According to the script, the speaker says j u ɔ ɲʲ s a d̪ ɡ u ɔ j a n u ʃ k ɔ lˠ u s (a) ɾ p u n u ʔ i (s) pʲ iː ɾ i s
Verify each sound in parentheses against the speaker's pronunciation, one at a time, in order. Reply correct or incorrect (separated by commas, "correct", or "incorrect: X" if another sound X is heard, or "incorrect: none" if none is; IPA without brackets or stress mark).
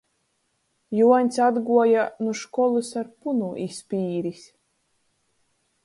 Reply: correct, correct